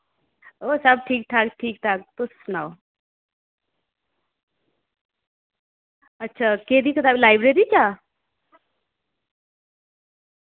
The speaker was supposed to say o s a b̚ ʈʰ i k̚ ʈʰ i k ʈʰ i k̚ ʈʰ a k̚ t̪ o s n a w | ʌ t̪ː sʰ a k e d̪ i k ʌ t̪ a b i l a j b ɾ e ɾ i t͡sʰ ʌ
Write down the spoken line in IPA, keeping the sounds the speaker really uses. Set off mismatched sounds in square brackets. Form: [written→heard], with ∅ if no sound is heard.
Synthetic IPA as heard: o s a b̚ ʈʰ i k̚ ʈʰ [i→a] k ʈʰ i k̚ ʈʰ a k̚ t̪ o s n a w | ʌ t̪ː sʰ a k e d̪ i k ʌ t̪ a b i l a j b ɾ e ɾ i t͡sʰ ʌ

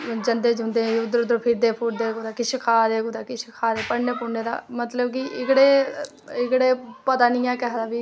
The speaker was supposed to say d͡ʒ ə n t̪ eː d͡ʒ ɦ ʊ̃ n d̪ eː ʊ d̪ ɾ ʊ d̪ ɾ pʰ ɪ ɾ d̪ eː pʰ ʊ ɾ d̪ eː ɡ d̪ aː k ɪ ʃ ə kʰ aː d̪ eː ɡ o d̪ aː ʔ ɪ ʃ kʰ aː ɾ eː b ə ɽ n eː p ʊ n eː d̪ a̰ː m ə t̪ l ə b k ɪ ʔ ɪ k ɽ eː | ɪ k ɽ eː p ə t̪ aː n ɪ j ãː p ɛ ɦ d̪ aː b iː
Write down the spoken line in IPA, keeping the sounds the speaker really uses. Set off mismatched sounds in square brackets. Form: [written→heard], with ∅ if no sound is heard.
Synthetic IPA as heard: d͡ʒ ə n [t̪→d̪] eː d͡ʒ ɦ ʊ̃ n d̪ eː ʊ d̪ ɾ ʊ d̪ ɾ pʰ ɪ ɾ d̪ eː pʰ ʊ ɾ d̪ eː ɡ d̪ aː k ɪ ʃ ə kʰ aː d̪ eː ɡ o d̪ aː [ʔ→k] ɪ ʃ kʰ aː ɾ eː [b→p] ə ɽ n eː p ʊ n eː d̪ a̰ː m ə t̪ l ə b k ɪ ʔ ɪ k ɽ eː | ɪ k ɽ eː p ə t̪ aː n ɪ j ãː [p→k] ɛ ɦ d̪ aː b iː

